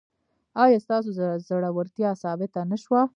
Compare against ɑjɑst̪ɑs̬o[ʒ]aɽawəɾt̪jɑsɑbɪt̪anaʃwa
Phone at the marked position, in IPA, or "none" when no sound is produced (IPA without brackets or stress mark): z